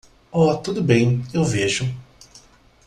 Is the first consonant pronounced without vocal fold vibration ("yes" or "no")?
yes